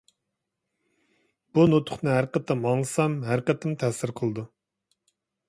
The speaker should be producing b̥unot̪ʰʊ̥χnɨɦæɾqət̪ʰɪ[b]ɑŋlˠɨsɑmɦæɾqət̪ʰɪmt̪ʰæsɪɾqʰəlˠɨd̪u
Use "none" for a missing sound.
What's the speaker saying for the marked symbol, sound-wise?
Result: m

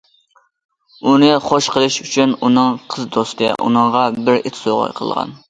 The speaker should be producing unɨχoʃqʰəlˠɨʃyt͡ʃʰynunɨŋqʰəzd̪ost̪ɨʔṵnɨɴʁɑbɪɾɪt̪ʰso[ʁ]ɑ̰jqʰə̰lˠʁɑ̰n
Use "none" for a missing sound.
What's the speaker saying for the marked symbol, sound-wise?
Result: ʁ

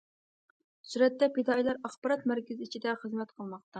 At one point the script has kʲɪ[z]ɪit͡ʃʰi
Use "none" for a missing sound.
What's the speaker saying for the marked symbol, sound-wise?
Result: z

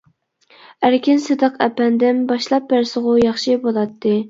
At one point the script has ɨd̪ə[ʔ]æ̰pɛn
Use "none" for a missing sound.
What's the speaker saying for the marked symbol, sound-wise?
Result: q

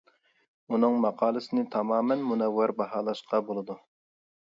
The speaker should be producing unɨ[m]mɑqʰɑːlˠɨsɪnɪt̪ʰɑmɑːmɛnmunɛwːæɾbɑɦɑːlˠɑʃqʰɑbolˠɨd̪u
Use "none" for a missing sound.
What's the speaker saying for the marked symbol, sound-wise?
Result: ŋ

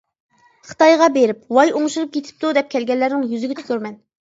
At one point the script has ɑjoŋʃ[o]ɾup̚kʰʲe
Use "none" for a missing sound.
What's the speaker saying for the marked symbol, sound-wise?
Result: u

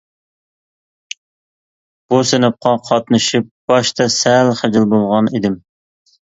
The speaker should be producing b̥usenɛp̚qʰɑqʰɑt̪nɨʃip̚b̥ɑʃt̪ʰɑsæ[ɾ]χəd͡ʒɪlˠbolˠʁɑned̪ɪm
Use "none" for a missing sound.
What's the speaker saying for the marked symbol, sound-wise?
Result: l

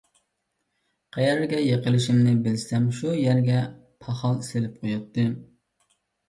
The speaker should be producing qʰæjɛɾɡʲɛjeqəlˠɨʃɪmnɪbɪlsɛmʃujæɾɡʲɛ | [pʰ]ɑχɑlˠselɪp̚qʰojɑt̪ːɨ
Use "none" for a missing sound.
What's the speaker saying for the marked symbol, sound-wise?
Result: pʰ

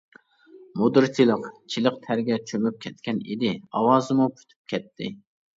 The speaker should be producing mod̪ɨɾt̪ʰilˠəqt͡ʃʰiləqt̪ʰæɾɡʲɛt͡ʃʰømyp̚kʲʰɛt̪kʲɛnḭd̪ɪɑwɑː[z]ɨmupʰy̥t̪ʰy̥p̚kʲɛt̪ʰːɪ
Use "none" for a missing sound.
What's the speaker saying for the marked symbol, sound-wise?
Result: z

